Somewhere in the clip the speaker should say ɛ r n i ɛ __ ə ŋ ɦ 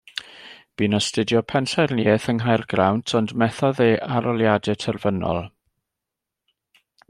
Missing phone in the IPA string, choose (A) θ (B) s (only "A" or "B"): A